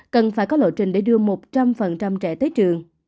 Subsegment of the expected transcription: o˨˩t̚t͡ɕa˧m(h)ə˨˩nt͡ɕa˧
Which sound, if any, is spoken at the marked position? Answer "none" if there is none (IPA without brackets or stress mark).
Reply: f